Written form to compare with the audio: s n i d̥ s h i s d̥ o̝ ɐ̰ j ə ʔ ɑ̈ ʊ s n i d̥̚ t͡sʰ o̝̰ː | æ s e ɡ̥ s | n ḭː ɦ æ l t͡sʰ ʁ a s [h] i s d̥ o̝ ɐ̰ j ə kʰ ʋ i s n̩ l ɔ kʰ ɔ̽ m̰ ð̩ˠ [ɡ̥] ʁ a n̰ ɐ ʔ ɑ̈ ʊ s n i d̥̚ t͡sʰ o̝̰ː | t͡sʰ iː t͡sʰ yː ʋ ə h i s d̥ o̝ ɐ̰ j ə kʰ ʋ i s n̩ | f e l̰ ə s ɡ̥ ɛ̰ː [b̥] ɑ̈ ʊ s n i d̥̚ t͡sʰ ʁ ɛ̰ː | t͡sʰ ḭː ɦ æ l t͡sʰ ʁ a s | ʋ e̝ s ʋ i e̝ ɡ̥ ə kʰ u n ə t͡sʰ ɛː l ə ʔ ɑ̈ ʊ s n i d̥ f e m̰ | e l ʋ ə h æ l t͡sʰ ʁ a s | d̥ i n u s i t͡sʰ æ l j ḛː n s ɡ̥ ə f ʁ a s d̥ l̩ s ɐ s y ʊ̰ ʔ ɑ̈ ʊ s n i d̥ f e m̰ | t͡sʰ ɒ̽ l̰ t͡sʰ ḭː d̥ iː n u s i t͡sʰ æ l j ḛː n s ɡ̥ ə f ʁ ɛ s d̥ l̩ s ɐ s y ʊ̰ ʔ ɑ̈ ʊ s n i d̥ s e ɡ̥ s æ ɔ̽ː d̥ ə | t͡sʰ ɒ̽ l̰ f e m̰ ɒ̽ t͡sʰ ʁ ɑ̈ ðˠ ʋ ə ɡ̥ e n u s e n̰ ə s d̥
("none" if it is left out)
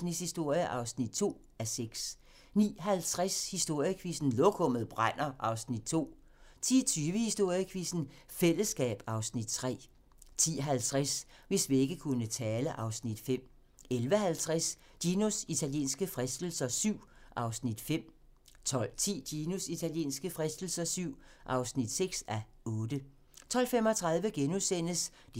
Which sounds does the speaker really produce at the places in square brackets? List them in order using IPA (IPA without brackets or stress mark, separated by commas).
h, b̥, b̥